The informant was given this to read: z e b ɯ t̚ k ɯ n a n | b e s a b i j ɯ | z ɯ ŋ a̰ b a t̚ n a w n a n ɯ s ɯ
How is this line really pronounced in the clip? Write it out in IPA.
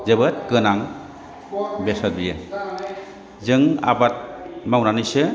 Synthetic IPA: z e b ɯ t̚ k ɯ n a ŋ | b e s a b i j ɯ | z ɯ ŋ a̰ b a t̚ m a w n a n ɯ s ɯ